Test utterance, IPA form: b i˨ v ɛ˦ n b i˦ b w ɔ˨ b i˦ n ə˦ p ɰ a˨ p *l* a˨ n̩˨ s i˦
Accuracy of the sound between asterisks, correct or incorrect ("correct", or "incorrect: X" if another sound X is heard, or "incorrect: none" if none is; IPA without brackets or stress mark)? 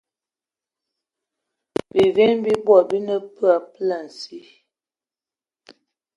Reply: correct